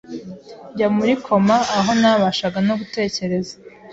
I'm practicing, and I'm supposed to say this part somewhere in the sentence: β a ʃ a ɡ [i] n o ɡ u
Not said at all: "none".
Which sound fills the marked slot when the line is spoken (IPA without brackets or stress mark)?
a